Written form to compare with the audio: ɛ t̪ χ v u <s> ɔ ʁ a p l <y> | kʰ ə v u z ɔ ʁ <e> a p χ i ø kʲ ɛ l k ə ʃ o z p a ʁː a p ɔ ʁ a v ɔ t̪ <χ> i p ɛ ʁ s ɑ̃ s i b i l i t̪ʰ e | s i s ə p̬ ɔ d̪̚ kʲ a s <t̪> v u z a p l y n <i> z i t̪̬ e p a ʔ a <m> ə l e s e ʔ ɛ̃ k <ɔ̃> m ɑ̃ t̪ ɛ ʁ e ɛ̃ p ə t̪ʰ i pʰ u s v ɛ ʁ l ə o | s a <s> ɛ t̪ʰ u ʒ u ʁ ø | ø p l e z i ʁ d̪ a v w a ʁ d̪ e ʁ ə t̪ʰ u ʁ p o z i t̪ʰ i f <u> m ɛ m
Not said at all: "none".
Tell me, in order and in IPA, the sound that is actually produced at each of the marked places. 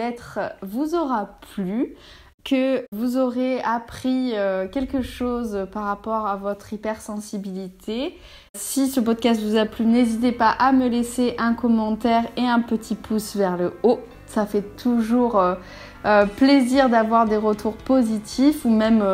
z, y, e, χ, t̪, e, m, ɔ, f, u

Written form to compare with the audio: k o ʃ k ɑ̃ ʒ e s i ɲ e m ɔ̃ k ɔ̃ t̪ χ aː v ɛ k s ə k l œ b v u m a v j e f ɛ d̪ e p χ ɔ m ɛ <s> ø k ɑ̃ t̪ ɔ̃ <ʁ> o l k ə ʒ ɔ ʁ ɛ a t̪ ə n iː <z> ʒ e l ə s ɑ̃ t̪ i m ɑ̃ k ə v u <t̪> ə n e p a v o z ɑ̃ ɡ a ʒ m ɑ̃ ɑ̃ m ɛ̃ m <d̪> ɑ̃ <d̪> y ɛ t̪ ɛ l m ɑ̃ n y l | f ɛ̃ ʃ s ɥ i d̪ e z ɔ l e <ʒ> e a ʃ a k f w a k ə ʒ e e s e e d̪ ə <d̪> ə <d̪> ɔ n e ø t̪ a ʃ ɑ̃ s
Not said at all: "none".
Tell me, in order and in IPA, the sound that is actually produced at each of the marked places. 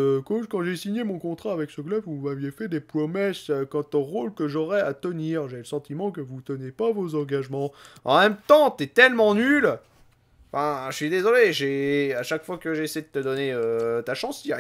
s, ʁ, ʁ, t̪, t̪, t̪, ʒ, t̪, d̪

